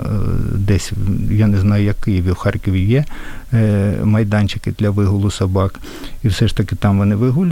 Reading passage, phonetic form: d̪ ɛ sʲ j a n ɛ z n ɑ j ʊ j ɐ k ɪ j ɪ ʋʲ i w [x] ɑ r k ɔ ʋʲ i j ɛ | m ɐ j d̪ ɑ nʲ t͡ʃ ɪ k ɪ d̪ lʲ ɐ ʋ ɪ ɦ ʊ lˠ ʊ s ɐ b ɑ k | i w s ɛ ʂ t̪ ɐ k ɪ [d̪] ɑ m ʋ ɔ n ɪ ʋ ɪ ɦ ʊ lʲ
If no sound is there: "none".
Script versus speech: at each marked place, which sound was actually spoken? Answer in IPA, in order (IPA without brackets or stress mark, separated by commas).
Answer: x, t̪